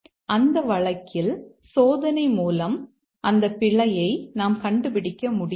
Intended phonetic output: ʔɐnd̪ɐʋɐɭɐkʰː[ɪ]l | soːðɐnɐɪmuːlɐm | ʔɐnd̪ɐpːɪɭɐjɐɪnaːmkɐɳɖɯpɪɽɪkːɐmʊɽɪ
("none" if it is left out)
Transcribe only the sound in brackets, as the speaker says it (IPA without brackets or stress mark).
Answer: ɪ